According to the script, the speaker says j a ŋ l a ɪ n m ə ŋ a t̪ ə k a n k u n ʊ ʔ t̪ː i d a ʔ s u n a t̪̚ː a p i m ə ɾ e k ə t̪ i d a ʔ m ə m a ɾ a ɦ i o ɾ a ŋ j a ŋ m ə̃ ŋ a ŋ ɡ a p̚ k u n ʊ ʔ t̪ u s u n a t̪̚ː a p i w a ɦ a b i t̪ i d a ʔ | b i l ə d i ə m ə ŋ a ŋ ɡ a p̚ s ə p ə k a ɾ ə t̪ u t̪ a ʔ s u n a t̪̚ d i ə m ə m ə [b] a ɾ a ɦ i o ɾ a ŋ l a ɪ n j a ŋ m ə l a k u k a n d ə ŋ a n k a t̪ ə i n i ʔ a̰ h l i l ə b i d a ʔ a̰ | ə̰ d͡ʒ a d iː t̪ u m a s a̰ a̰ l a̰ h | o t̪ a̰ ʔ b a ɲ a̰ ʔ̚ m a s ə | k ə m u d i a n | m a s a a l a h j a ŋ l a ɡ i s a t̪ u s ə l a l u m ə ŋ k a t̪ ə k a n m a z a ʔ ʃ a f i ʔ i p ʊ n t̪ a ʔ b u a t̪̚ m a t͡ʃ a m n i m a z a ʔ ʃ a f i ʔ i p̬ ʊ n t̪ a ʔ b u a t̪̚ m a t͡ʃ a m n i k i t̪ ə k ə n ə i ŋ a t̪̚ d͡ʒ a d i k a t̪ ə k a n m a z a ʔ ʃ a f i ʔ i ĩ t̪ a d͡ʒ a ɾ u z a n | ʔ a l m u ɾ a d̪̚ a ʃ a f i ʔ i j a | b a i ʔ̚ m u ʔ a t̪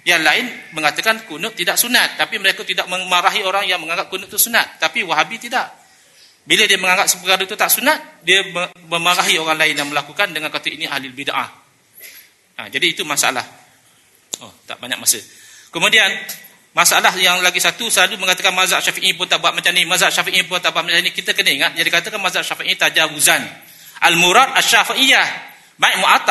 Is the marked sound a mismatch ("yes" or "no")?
yes